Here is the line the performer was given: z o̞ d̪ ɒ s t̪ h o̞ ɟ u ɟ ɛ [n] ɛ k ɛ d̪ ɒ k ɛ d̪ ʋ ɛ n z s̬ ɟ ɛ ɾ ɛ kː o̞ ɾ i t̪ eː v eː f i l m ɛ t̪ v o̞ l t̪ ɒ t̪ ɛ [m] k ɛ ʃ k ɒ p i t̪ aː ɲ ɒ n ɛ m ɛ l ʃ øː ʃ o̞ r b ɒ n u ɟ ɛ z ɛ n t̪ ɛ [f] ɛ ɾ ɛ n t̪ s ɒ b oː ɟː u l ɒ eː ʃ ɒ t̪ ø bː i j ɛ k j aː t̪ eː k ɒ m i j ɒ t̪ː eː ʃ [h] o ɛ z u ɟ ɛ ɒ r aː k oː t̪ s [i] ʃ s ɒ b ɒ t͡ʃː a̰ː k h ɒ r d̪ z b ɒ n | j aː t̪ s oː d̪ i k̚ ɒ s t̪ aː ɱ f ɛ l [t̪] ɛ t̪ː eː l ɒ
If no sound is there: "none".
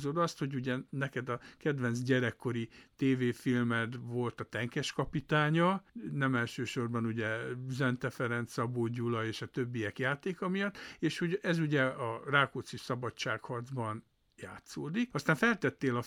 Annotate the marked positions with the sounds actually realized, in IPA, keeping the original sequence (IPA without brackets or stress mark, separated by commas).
n, ŋ, f, h, i, t̪